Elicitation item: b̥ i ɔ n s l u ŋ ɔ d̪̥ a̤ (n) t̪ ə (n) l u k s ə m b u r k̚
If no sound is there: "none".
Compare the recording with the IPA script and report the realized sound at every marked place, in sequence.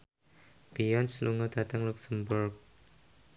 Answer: none, ŋ

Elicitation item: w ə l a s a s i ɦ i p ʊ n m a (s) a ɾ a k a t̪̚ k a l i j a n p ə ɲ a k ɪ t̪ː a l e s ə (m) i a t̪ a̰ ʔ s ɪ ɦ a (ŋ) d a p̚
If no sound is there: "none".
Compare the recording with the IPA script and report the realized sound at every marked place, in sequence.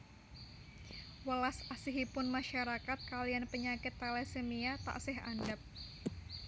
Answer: ʃ, m, n

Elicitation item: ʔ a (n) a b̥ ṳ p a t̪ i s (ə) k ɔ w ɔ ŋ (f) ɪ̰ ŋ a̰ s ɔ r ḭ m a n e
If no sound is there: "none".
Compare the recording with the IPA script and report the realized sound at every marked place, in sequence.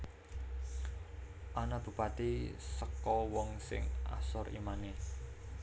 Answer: n, ə, s

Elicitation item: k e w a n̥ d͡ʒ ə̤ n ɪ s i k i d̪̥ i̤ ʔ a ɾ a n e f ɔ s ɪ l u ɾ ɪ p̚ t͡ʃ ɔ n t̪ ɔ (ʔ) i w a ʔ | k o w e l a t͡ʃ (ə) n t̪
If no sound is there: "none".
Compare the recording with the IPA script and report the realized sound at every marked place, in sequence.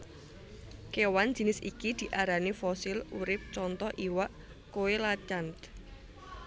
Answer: ʔ, a

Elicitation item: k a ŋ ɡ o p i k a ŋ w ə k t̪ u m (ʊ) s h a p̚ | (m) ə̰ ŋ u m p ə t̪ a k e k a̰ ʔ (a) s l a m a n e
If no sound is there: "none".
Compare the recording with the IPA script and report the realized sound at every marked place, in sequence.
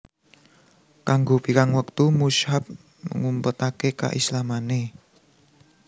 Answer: u, m, i

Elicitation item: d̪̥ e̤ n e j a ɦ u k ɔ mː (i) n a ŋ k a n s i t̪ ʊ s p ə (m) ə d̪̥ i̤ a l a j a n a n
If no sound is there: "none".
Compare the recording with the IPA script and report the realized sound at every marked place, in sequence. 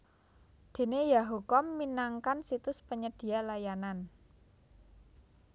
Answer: i, ɲ

